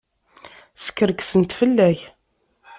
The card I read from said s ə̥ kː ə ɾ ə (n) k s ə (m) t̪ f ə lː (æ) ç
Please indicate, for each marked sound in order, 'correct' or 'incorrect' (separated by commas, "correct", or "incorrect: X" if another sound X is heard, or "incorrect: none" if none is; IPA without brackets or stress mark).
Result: incorrect: none, incorrect: n, correct